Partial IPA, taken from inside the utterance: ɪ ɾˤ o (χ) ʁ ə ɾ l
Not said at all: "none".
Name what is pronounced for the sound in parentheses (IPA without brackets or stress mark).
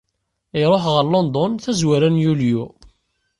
ħ